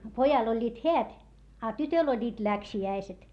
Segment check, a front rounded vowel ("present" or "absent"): present